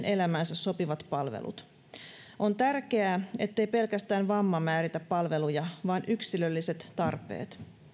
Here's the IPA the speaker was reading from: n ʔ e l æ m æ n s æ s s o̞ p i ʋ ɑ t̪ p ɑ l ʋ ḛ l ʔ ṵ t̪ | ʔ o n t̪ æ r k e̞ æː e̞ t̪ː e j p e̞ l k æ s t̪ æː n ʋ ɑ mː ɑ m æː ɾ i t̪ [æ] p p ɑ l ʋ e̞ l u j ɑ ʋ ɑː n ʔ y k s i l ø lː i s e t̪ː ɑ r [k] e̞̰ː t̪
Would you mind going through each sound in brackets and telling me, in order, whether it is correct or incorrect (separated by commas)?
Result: correct, incorrect